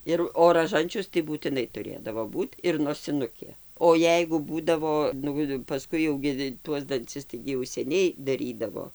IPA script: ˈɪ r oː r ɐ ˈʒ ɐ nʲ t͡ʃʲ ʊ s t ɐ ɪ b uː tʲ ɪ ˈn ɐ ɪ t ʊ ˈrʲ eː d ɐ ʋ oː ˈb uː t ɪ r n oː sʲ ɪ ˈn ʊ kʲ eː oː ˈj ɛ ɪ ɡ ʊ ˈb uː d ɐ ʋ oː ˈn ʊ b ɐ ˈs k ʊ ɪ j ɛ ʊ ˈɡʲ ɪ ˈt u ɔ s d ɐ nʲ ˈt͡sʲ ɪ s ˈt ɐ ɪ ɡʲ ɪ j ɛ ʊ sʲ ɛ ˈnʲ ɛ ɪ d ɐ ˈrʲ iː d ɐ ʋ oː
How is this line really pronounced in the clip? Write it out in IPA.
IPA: ˈɪ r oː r ɐ ˈʒ ɐ nʲ t͡ʃʲ ʊ s t ɐ ɪ b uː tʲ ɪ ˈn ɐ ɪ t ʊ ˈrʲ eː d ɐ ʋ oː ˈb uː t ɪ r n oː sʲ ɪ ˈn ʊ kʲ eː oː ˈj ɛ ɪ ɡ ʊ ˈb uː d ɐ ʋ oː ˈn ʊ p ɐ ˈs k ʊ ɪ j ɛ ʊ ˈɡʲ ɪ ˈt u ɔ s d ɐ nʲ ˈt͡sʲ ɪ s ˈt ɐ ɪ ɡʲ ɪ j ɛ ʊ sʲ ɛ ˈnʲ ɛ ɪ d ɐ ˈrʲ iː d ɐ ʋ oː